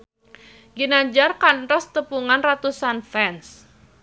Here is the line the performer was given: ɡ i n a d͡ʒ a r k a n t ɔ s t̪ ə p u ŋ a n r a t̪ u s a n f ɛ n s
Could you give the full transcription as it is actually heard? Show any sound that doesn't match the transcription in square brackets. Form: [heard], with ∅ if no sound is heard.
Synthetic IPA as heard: ɡ i n a d͡ʒ a r k a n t ɔ s t̪ ə p u ŋ a n r a t̪ u s a n f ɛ n s